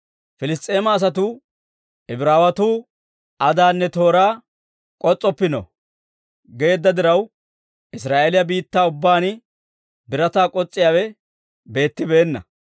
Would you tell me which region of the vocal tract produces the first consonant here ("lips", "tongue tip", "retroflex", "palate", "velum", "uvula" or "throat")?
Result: lips